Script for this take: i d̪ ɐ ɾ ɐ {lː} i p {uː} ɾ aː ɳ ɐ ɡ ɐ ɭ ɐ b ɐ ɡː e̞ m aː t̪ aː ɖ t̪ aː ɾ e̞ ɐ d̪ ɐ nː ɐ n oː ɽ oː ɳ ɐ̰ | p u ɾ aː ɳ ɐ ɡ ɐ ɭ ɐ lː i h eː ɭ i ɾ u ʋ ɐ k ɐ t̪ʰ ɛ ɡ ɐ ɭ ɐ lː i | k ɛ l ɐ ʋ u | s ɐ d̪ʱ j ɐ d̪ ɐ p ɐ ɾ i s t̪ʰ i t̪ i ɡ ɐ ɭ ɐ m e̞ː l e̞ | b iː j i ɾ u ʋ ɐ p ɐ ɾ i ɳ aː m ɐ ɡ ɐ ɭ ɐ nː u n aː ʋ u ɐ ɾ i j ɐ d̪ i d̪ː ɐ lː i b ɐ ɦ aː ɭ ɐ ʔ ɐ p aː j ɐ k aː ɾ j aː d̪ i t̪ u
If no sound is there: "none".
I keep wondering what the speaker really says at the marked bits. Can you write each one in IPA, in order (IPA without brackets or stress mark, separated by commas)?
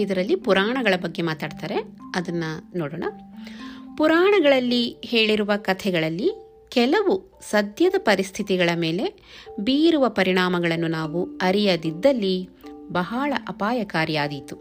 lː, u